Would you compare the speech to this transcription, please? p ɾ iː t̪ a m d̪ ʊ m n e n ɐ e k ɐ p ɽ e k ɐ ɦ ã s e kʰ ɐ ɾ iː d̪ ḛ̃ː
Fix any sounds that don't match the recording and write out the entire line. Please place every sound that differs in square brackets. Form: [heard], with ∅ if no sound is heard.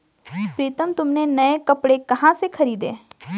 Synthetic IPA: p ɾ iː t̪ [ə] m [t̪] ʊ m n e n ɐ e k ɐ p ɽ e k ɐ ɦ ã s e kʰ ɐ ɾ iː d̪ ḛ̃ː